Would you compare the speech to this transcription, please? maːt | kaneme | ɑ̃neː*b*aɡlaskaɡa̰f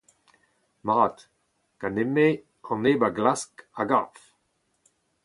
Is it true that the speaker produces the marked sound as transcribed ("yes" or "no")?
yes